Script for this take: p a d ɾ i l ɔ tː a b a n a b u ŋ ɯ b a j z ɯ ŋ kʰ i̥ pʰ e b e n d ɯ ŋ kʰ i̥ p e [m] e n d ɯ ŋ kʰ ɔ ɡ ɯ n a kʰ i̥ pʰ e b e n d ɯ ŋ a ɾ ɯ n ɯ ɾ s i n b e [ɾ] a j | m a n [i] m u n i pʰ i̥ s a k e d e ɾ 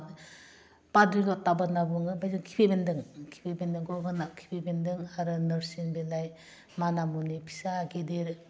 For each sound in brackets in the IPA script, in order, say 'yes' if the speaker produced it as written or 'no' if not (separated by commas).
no, no, no